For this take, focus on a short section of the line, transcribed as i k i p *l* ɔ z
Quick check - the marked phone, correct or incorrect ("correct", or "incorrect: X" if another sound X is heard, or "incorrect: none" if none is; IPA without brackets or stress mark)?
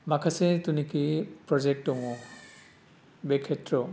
incorrect: ɹ